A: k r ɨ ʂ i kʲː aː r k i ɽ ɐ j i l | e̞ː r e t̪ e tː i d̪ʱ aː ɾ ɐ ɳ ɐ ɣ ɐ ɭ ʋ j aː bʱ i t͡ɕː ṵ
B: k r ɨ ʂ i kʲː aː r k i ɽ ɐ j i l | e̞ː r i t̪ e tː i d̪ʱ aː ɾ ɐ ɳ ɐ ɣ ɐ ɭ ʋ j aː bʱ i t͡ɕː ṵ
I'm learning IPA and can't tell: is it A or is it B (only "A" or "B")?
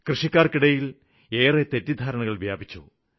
A